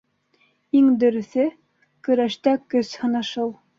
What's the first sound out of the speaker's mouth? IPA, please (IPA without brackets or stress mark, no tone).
i